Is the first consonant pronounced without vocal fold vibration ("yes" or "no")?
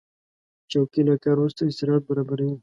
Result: yes